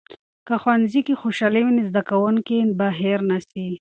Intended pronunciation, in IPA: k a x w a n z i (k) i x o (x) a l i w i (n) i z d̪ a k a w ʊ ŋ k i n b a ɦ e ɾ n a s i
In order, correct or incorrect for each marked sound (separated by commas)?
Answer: correct, incorrect, correct